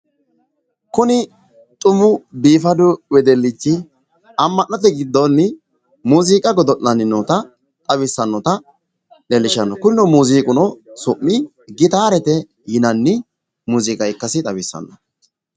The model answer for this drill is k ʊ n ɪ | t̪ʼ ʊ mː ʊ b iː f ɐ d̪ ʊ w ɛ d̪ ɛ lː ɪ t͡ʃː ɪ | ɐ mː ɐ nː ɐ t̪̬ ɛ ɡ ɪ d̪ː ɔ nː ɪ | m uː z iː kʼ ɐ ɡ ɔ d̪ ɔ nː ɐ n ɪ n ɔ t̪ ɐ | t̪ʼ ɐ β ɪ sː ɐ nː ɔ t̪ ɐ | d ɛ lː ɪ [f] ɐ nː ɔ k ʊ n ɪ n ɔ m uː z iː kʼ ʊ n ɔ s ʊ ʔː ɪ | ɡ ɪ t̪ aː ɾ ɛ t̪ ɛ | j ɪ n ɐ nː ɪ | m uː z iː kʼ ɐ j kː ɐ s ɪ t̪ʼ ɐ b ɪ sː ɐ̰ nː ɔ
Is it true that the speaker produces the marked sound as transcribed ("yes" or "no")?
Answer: no